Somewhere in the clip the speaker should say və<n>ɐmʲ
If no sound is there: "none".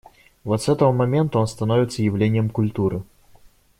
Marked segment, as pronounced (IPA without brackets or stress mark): m